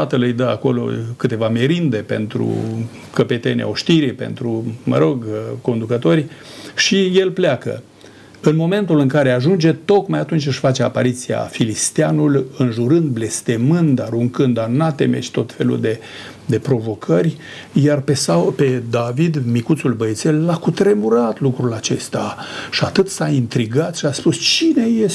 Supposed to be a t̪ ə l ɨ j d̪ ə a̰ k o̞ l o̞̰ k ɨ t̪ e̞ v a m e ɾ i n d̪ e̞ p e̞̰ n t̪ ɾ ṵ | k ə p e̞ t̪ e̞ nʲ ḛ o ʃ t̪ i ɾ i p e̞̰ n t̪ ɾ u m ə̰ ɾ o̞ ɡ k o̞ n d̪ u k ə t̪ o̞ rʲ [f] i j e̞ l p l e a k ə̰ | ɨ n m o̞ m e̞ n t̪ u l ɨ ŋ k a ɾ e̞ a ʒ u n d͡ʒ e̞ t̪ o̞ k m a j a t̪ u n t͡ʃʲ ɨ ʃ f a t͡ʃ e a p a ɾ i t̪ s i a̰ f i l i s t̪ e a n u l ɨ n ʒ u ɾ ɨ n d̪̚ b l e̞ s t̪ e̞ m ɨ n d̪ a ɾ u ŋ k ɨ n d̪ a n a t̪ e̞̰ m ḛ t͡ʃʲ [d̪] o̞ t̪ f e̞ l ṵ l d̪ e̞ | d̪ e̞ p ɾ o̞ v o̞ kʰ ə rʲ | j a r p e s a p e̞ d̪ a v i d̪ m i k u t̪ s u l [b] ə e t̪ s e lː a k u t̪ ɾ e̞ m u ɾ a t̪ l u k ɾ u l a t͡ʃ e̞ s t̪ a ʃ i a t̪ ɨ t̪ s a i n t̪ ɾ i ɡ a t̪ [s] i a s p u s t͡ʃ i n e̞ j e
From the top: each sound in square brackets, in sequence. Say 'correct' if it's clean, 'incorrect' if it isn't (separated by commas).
incorrect, incorrect, correct, incorrect